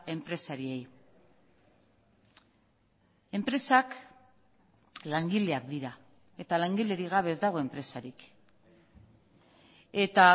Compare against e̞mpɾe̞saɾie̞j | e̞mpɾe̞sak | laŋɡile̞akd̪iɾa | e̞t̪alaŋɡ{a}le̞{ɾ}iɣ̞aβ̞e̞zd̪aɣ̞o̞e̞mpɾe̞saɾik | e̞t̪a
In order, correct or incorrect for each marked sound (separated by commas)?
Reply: incorrect, correct